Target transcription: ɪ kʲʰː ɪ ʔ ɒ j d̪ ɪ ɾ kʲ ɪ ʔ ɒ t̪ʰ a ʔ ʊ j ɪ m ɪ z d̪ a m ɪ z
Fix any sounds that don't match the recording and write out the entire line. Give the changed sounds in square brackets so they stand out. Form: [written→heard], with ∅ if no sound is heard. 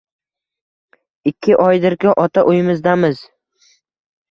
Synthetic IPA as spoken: ɪ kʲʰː ɪ ʔ ɒ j d̪ ɪ ɾ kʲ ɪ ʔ ɒ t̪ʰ a ʔ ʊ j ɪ m ɪ z d̪ a m ɪ z